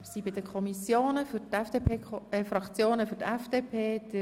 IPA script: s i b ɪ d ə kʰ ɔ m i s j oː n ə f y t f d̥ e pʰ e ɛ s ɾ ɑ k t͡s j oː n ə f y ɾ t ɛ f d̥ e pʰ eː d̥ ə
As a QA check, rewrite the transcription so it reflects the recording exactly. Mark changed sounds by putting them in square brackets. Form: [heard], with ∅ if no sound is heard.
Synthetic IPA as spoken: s i b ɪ d ə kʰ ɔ m i s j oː n ə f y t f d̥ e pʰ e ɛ [f] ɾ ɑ k t͡s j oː n ə f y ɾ t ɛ f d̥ e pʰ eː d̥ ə